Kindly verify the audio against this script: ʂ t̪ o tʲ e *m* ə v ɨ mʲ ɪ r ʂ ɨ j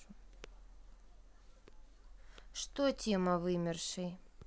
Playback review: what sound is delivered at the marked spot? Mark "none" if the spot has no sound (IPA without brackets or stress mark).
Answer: m